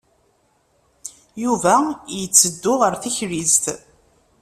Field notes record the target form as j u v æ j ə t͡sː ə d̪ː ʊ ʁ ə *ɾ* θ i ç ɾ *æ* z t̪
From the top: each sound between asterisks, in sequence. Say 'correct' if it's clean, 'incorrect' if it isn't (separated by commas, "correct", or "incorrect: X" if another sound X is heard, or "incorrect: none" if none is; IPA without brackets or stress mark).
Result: correct, incorrect: i